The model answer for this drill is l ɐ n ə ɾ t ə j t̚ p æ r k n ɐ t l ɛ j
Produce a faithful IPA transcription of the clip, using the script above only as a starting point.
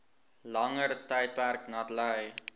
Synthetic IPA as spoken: l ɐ ŋ ə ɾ t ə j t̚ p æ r k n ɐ t l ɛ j